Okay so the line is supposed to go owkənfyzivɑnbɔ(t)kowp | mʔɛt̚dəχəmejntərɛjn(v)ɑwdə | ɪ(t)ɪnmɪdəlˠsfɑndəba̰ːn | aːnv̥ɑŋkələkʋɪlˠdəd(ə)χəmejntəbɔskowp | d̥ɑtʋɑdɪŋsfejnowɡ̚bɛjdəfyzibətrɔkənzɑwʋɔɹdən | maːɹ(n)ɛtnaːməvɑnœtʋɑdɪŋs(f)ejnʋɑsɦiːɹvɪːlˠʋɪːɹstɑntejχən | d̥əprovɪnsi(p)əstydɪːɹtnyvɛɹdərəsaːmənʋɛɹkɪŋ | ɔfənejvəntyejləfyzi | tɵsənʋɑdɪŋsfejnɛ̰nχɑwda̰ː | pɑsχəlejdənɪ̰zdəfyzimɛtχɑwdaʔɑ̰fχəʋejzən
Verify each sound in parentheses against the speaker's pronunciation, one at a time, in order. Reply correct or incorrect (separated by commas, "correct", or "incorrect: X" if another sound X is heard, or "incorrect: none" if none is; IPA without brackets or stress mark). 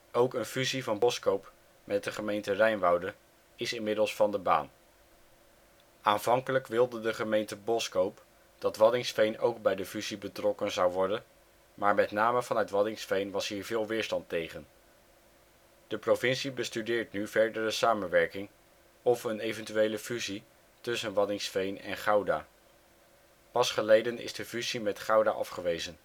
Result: incorrect: s, incorrect: ʋ, incorrect: s, correct, incorrect: m, correct, incorrect: b